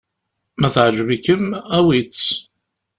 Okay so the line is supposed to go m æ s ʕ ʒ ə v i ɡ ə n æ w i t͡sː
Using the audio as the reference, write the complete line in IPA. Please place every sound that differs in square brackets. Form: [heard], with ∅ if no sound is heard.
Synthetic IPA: m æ [θ] ʕ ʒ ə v i [k] ə [m] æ w i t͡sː